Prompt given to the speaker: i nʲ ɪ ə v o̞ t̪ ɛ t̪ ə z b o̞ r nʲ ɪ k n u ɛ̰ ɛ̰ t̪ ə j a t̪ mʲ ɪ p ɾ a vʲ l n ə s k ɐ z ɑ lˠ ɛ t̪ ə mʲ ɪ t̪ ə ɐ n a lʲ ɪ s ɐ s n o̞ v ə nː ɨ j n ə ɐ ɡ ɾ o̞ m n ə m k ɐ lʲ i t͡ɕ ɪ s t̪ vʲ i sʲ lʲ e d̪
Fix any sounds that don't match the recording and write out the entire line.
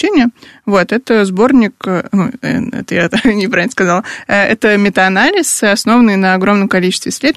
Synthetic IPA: e nʲ ɪ ə v o̞ t̪ ɛ t̪ ə z b o̞ r nʲ ɪ k n u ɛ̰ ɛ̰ t̪ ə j a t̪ nʲ ɪ p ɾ a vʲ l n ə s k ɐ z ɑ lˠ ɛ t̪ ə mʲ ɪ t̪ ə ɐ n a lʲ ɪ s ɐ s n o̞ v ə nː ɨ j n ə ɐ ɡ ɾ o̞ m n ə m k ɐ lʲ i t͡ɕ ɪ s t̪ vʲ ɪ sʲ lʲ e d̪